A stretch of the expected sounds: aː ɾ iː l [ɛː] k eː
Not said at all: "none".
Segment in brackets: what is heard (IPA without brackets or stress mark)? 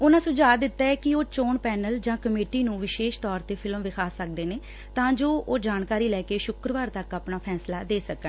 ɛː